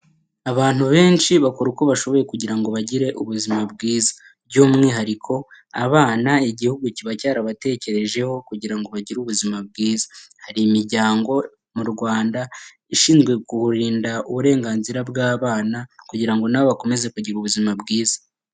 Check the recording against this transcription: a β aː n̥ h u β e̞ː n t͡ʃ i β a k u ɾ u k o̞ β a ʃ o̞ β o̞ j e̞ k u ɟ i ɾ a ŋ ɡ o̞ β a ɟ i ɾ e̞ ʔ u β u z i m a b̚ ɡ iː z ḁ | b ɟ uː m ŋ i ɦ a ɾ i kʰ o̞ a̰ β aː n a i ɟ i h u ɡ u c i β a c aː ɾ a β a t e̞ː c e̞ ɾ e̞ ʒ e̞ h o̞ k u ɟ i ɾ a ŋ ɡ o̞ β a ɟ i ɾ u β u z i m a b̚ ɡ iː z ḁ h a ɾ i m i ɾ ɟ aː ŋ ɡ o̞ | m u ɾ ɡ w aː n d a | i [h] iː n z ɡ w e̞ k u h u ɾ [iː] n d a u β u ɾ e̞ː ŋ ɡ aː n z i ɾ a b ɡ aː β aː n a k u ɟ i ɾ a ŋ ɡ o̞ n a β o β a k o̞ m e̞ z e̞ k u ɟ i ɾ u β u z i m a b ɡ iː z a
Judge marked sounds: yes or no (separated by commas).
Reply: no, yes